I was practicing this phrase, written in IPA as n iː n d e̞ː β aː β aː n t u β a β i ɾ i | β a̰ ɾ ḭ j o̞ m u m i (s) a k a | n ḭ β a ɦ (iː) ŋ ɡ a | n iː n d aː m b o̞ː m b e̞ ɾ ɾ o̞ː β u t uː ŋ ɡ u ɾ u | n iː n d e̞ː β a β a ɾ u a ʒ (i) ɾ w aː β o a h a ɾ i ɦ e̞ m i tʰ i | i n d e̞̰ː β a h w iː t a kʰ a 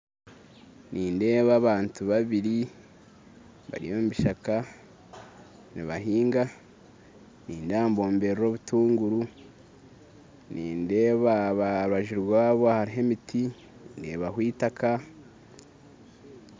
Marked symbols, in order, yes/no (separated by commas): no, yes, yes